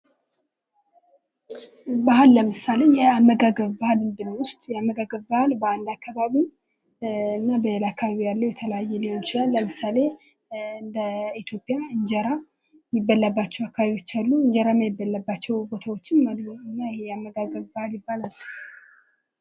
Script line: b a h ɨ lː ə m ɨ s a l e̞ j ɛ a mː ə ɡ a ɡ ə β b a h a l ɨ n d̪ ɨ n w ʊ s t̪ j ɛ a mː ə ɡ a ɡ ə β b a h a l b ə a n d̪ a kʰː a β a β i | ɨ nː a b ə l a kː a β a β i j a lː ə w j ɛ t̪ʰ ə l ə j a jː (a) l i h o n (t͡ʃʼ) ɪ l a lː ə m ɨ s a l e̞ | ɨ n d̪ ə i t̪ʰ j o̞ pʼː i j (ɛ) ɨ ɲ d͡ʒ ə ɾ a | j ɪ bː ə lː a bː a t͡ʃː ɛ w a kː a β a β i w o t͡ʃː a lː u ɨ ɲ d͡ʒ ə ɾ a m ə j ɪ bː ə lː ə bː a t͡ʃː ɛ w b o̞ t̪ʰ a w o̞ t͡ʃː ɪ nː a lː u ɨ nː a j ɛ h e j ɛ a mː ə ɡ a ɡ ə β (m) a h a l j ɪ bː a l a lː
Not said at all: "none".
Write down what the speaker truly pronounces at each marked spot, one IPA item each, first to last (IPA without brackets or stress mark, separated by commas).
ɛ, t͡ʃ, a, b